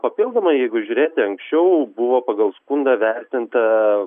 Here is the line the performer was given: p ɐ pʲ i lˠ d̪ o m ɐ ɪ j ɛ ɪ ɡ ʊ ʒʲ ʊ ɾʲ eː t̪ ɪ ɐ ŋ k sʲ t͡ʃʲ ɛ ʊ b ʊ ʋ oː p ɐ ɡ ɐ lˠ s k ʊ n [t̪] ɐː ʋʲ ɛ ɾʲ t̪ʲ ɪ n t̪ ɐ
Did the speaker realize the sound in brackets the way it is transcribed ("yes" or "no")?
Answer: no